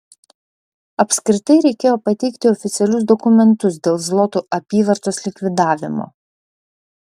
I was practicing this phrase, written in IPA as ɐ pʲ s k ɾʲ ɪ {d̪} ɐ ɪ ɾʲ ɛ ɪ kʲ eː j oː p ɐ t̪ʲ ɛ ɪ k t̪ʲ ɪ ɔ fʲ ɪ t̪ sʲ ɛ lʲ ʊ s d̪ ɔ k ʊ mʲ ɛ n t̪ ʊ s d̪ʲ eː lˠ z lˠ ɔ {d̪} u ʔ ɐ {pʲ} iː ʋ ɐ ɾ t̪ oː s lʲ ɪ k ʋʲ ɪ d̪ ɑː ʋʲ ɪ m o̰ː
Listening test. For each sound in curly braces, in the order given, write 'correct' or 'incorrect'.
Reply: incorrect: t̪, incorrect: t̪, correct

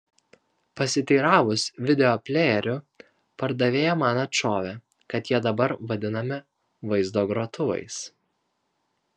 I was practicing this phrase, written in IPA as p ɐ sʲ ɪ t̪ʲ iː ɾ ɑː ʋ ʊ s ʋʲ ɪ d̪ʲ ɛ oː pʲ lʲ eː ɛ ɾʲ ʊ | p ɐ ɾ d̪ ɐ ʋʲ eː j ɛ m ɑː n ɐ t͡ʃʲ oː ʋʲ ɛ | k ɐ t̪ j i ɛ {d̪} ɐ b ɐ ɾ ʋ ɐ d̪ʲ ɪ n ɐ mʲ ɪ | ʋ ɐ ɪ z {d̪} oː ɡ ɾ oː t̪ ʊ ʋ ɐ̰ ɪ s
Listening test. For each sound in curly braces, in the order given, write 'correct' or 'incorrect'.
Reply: correct, correct

